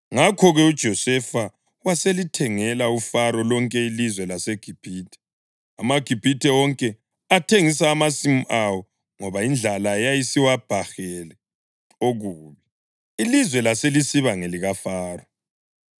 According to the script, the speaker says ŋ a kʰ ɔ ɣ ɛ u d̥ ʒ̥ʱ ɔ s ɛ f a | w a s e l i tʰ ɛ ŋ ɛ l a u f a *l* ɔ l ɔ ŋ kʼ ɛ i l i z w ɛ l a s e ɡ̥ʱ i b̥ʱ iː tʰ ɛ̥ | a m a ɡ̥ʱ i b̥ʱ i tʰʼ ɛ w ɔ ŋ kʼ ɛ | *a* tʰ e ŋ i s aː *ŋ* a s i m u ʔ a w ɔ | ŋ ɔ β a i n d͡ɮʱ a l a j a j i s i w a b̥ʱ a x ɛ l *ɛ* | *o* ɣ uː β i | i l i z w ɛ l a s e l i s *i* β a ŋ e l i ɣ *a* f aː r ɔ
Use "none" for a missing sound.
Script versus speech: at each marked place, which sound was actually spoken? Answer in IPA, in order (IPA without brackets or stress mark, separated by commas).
ɾ, a, m, ɛ, o, i, a